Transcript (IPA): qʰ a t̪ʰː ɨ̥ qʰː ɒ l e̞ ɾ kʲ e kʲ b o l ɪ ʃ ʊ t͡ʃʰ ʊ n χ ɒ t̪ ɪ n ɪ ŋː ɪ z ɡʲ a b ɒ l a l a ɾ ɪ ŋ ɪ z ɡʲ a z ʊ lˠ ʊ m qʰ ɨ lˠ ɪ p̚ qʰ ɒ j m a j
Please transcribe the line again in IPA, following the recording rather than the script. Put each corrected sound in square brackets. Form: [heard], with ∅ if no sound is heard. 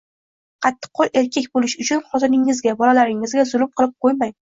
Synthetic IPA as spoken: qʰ [ɑ] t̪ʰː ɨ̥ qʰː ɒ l e̞ ɾ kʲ e kʲ b o l ɪ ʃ ʊ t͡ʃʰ ʊ n χ ɒ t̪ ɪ n ɪ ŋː ɪ z ɡʲ a b ɒ l a l a ɾ ɪ ŋ ɪ z ɡʲ a z ʊ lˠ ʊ m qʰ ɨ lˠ ɪ p̚ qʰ [o] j m a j